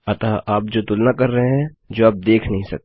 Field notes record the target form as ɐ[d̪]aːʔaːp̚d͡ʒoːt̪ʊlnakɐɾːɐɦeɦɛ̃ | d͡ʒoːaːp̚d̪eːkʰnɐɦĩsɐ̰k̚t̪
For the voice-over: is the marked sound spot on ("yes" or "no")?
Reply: no